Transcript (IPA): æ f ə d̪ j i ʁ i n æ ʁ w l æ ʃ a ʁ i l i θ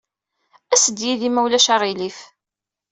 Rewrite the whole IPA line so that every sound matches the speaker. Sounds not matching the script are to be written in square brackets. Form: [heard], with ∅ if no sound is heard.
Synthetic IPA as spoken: æ [s] ə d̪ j i [ð] i [m] æ [∅] w l æ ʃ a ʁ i l i [f]